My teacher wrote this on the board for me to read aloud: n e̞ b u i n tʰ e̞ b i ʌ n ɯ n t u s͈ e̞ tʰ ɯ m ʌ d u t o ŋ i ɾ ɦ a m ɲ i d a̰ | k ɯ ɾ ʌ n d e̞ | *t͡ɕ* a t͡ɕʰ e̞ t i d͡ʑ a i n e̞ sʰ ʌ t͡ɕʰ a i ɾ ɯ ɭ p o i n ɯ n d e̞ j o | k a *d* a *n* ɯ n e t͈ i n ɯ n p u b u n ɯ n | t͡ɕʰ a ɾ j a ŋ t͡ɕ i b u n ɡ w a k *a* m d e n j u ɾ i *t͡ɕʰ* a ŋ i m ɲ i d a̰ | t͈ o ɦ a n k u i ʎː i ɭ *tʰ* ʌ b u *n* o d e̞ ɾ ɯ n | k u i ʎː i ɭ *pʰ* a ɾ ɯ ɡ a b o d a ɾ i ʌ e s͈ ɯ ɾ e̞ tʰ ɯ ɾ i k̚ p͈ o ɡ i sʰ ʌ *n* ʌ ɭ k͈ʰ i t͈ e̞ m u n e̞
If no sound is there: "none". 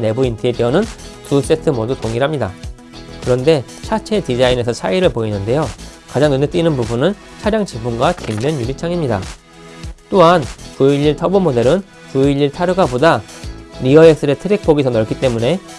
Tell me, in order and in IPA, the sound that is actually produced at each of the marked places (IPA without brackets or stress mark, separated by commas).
t͡ɕʰ, d͡ʑ, ŋ, i, t͡ɕʰ, tʰ, m, tʰ, n